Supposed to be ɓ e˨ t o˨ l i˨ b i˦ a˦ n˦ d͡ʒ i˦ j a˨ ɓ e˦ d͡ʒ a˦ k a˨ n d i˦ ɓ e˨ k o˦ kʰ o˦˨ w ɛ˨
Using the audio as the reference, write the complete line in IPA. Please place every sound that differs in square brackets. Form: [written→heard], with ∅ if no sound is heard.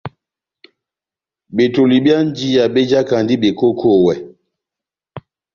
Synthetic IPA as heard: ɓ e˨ t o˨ l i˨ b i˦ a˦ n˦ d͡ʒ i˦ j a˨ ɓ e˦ d͡ʒ a˦ k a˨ n d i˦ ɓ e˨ k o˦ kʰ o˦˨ w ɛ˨